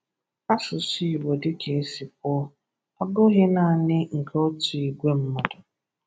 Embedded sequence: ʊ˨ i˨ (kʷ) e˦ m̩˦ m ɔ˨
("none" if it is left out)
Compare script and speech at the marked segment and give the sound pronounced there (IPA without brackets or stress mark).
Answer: ɡʷ